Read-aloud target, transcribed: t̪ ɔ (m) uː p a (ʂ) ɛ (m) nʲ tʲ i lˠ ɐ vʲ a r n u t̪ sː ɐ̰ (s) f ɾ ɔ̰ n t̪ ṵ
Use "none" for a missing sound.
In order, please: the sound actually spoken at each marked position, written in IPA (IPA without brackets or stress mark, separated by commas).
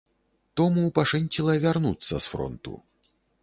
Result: m, ʂ, none, s